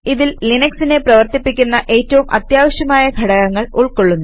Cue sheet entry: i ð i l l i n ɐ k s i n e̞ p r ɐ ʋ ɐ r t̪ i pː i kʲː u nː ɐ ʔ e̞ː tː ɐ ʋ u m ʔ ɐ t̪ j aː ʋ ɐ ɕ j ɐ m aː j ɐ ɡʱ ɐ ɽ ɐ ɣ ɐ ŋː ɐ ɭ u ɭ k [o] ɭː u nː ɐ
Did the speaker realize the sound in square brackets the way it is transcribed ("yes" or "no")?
yes